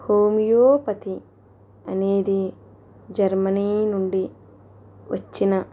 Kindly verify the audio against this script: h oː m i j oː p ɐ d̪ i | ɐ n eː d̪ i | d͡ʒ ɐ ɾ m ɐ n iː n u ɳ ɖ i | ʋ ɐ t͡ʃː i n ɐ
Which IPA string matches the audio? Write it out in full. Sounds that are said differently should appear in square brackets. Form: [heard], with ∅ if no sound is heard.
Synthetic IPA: h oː m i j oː p ɐ [t̪] i | ɐ n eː d̪ i | d͡ʒ ɐ ɾ m ɐ n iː n u ɳ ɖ i | ʋ ɐ t͡ʃː i n ɐ

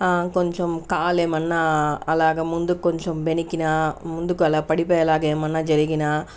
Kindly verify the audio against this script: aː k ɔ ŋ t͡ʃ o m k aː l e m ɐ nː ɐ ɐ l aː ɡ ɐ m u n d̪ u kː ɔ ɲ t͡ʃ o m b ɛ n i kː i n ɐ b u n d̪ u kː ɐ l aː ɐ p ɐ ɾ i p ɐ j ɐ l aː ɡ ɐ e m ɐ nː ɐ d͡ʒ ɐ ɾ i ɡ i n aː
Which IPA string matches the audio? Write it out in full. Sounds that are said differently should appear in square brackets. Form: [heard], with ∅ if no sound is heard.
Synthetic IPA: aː k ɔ [ɲ] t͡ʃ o m k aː l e m ɐ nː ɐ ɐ l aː ɡ ɐ m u n d̪ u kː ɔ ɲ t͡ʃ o m b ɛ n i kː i n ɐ [m] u n d̪ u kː ɐ l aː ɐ p ɐ [ɽ] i p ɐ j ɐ l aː ɡ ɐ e m ɐ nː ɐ d͡ʒ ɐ ɾ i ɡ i n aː

